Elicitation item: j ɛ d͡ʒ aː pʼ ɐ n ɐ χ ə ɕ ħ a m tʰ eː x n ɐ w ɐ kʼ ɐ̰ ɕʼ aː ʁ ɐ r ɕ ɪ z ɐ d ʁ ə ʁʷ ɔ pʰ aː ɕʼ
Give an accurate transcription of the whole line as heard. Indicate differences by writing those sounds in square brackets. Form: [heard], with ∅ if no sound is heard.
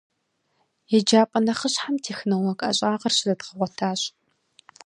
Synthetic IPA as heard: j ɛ d͡ʒ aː pʼ ɐ n ɐ χ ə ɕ ħ a m tʰ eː x n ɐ w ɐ kʼ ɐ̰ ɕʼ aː ʁ ɐ r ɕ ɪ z ɐ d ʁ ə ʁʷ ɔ [tʰ] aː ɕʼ